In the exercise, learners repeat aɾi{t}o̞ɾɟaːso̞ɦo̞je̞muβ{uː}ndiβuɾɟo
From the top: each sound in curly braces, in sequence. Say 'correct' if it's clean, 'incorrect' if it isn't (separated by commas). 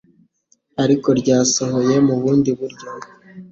incorrect, correct